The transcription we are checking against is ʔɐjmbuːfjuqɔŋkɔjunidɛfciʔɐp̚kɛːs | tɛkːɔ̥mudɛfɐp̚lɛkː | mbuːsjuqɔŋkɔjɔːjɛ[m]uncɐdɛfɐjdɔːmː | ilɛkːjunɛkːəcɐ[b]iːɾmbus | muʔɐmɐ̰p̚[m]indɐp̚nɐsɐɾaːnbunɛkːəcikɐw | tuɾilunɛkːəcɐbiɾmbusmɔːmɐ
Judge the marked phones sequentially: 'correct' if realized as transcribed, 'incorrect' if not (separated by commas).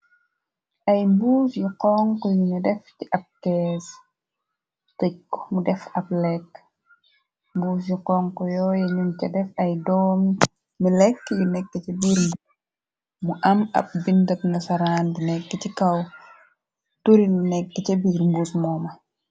incorrect, correct, incorrect